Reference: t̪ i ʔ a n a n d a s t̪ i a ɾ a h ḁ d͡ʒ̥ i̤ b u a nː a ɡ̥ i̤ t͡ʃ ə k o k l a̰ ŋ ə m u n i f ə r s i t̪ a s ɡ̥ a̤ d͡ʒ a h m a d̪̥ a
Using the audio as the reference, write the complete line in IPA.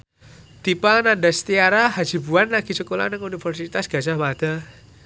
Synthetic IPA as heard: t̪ i p a n a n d a s t̪ i a ɾ a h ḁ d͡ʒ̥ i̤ b u a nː a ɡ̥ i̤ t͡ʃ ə k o l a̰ n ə ŋ u n i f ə r s i t̪ a s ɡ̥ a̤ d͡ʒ a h m a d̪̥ a